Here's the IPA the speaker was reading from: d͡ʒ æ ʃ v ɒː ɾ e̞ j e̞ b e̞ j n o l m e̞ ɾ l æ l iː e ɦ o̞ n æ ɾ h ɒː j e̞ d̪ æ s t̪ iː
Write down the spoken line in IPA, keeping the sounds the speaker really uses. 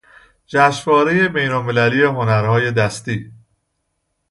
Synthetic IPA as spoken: d͡ʒ æ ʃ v ɒː ɾ e̞ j e̞ b e̞ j n o l m e̞ l æ l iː e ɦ o̞ n æ ɾ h ɒː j e̞ d̪ æ s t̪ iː